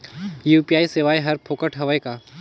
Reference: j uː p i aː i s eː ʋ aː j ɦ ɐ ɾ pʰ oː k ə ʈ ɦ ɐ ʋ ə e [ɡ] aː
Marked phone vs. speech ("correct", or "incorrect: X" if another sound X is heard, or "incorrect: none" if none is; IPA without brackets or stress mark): incorrect: k